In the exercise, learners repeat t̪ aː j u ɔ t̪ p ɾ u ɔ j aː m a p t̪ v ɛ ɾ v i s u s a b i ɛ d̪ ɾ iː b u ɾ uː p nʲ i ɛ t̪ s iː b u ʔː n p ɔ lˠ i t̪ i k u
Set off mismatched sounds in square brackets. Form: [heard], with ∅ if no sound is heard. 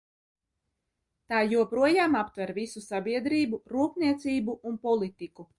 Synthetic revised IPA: t̪ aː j u ɔ [∅] p ɾ u ɔ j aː m a p t̪ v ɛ ɾ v i s u s a b i ɛ d̪ ɾ iː b u ɾ uː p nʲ i ɛ t̪ s iː b u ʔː n p ɔ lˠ i t̪ i k u